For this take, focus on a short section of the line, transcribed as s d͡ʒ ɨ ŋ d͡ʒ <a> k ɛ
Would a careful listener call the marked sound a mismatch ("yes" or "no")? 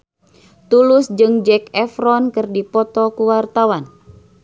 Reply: yes